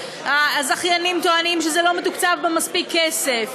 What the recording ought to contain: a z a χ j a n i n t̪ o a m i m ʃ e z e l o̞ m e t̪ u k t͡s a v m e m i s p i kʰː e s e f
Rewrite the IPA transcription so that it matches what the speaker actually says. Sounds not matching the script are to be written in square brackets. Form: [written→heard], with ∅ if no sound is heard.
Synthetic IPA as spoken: a z a χ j a n i [n→m] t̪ o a [m→n] i m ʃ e z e l o̞ m e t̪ u k t͡s a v [m→b] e m [i→a] s p i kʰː e s e f